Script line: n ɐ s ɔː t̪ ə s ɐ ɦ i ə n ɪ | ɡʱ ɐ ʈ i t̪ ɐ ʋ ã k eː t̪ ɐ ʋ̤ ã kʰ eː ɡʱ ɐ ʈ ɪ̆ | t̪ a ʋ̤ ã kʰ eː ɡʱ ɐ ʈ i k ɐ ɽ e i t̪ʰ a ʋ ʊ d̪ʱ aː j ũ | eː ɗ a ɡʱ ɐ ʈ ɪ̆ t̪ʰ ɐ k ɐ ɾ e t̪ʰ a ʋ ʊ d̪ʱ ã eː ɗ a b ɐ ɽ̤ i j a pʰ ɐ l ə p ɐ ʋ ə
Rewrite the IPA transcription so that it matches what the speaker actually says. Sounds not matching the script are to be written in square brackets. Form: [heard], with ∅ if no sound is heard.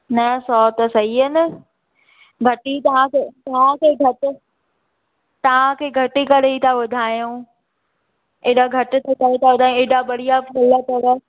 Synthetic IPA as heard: n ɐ s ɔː t̪ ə s ɐ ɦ i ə n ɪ | ɡʱ ɐ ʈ i t̪ ɐ ʋ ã k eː t̪ ɐ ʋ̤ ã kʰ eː ɡʱ ɐ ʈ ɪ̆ | t̪ [ɐ] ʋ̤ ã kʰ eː ɡʱ ɐ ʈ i k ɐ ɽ e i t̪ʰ a ʋ ʊ d̪ʱ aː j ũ | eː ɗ a ɡʱ ɐ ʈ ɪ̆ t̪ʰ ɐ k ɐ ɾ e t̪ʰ a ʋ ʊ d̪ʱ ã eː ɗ a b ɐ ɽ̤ i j a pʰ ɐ l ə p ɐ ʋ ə